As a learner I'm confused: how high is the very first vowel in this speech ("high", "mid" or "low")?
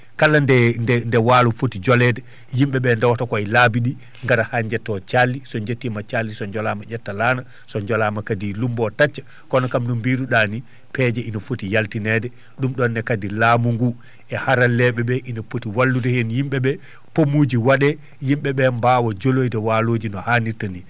low